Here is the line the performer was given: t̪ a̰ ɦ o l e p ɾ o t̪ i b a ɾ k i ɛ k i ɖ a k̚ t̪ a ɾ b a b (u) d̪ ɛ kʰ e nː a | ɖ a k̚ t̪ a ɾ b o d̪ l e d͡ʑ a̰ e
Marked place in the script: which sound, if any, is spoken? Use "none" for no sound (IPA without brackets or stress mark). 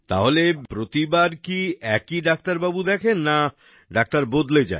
u